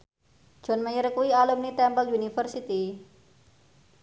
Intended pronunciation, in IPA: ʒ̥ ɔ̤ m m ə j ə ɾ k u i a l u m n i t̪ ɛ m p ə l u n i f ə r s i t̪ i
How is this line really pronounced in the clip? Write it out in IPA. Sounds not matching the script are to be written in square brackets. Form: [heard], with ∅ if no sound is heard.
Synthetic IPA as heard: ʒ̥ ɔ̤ [n] m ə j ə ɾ k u i a l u m n i t̪ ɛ m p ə l u n i f ə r s i t̪ i